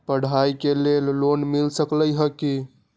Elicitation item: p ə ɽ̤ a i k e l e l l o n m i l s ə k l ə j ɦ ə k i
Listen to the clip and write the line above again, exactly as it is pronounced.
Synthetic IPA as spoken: p ə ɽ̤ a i k e l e l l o n m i l s ə k l ə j ɦ ə k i